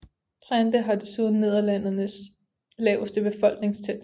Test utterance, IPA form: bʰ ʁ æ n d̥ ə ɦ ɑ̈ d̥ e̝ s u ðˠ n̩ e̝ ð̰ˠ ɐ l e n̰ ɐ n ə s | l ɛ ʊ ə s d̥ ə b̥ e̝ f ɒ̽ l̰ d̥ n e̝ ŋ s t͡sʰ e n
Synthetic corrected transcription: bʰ ʁ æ n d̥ ə ɦ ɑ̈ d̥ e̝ s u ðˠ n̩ e̝ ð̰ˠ ɐ l æ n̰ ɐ n ə s | l ɛ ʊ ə s d̥ ə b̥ e̝ f ɒ̽ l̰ ɡ̥ n e̝ ŋ s t͡sʰ e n

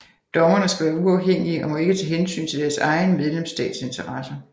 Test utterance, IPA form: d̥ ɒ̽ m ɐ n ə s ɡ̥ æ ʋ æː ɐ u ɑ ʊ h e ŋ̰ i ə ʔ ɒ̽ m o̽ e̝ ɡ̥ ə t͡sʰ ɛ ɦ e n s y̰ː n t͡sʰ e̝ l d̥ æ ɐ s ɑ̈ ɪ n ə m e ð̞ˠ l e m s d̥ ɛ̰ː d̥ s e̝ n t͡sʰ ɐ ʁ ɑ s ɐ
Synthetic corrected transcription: d̥ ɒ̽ m ɐ n ə s ɡ̥ æ ʋ æː ɐ u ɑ ʊ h e ŋ̰ i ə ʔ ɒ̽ m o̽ e̝ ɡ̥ ə t͡sʰ ɛ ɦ e n s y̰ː n t͡sʰ e̝ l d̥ æ ɐ s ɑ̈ ɪ n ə m e ð̞ˠ l e m s d̥ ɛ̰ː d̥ s e̝ n t͡sʰ ɐ ʁ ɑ s ɐ

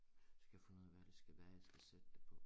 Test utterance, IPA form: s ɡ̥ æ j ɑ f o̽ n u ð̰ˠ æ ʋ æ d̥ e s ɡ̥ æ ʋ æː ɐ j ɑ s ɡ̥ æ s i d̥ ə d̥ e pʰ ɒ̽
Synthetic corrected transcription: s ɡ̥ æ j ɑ f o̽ n u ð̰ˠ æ ʋ æ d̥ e s ɡ̥ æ ʋ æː ɐ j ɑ s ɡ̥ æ s e d̥ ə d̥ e pʰ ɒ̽

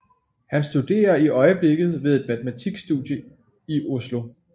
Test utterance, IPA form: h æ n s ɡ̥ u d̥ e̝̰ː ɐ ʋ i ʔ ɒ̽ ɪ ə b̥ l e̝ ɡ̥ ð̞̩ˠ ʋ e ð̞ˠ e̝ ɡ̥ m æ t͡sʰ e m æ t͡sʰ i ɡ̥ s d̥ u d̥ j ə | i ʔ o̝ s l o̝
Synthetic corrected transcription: h æ n s d̥ u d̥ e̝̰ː ɐ i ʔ ɒ̽ ɪ ə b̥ l e̝ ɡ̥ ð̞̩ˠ ʋ e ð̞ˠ e̝ d̥ m æ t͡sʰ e m æ t͡sʰ i ɡ̥ s d̥ u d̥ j ə | i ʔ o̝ s l o̝

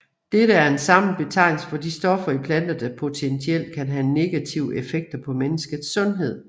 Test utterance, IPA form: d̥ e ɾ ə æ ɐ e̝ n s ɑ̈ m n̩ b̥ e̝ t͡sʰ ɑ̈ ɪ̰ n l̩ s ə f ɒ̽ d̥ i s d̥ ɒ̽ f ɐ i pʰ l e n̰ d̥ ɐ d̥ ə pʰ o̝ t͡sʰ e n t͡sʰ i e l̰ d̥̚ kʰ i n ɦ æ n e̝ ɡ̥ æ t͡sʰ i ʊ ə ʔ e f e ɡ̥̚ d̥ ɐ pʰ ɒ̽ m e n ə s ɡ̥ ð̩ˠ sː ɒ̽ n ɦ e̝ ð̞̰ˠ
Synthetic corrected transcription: d̥ e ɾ ə æ ɐ e̝ n s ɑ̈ m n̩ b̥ e̝ t͡sʰ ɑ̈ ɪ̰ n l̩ s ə f ɒ̽ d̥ i s d̥ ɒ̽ f ɐ i pʰ l æ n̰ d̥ ɐ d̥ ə pʰ o̝ t͡sʰ e n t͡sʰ i e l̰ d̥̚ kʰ æ n ɦ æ n e̝ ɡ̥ æ t͡sʰ i ʊ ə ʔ e f e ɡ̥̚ d̥ ɐ pʰ ɒ̽ m e n ə s ɡ̥ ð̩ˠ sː ɔ̽ n ɦ e̝ ð̞̰ˠ

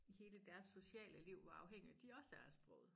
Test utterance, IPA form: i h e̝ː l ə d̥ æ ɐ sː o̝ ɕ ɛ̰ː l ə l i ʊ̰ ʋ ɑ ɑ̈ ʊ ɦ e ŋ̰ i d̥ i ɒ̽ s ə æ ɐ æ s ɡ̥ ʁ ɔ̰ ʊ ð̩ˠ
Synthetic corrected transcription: i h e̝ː l ə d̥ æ ɐ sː o̝ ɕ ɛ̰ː l ə l i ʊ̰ ʋ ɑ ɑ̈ ʊ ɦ e ŋ̰ i d̥ i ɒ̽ s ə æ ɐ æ s b̥ ʁ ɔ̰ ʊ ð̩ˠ

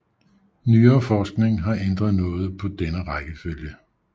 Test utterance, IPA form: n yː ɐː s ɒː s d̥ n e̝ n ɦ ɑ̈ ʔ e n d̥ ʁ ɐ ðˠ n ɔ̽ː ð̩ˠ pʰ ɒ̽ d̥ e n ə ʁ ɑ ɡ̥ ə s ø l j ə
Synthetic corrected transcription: n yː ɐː f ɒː s ɡ̥ n e̝ ŋ ɦ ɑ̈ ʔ e n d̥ ʁ ɐ ðˠ n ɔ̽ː ð̩ˠ pʰ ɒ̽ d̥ e n ə ʁ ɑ ɡ̥ ə f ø l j ə

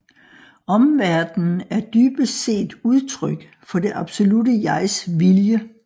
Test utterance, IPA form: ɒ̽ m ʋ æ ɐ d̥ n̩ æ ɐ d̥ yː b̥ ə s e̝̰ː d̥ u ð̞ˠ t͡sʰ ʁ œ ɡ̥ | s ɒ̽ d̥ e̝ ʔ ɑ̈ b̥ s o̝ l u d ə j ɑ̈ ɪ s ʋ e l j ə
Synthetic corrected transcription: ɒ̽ m ʋ æ ɐ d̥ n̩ æ ɐ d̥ yː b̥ ə s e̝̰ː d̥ u ð̞ˠ t͡sʰ ʁ œ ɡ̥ | f ɒ̽ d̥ e̝ ʔ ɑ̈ b̥ s o̝ l u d ə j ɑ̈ ɪ s ʋ i l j ə

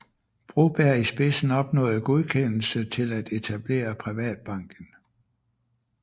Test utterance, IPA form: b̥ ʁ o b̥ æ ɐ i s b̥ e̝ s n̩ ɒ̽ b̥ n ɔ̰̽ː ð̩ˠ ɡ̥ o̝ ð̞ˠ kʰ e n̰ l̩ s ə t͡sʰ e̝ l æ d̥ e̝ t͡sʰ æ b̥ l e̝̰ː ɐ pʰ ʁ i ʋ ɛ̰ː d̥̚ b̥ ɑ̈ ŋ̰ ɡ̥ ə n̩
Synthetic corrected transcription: b̥ ʁ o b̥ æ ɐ i s b̥ e̝ s n̩ ɒ̽ b̥ n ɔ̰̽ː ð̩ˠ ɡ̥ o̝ ð̞ˠ kʰ e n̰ l̩ s ə t͡sʰ e̝ l æ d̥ e̝ t͡sʰ æ b̥ l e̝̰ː ɐ pʰ ʁ i ʋ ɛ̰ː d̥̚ b̥ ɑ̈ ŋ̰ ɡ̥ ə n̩

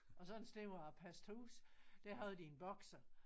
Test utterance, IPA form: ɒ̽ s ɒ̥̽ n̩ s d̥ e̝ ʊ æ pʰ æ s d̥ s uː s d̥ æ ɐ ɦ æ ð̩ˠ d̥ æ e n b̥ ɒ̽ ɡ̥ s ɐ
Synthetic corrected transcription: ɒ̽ s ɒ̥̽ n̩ s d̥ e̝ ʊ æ pʰ æ s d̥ h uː s d̥ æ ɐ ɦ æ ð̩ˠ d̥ i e n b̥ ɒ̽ ɡ̥ s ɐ

